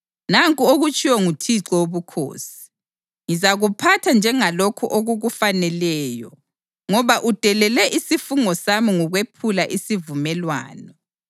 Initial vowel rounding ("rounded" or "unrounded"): unrounded